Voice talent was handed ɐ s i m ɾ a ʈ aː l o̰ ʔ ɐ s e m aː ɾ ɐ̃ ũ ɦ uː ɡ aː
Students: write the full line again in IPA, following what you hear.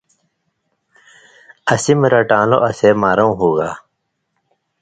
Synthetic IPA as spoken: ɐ s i m ɾ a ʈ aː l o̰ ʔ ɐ s e m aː ɾ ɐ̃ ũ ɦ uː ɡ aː